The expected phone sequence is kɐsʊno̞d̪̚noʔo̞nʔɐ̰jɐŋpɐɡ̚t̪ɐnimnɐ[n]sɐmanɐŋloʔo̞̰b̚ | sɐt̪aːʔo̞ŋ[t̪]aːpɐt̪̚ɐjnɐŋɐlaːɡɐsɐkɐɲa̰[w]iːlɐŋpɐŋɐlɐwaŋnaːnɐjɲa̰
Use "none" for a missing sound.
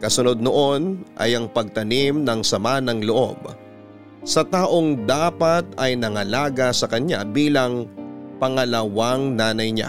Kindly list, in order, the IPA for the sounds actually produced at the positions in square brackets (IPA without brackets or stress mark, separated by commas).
ŋ, d̪, b